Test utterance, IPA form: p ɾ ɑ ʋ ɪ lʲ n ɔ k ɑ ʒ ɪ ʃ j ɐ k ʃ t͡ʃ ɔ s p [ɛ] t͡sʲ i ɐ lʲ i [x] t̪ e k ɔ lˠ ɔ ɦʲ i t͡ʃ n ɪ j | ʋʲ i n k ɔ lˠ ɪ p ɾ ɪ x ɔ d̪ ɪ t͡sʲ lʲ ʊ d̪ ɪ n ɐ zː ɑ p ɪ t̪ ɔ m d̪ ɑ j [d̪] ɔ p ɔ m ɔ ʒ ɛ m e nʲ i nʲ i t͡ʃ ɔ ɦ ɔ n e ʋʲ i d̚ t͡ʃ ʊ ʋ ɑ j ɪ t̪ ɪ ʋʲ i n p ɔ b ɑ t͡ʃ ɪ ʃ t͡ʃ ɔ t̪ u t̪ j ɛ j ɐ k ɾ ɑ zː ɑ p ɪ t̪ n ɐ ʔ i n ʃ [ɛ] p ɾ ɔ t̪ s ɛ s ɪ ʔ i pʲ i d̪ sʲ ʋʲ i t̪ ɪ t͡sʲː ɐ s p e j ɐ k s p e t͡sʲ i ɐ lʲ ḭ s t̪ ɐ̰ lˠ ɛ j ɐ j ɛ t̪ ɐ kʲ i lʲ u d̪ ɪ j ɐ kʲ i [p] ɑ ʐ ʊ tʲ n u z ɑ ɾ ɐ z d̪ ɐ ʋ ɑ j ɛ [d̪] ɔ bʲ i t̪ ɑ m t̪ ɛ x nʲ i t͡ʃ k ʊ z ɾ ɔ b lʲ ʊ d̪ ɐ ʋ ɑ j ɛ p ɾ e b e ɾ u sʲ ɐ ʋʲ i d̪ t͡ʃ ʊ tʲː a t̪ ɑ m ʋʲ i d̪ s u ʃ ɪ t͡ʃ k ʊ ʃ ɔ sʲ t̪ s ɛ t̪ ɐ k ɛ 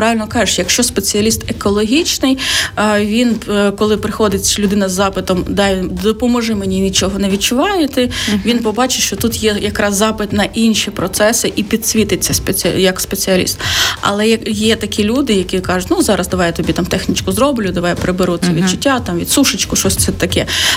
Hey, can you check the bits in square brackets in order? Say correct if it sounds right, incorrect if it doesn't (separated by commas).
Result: incorrect, incorrect, correct, incorrect, incorrect, incorrect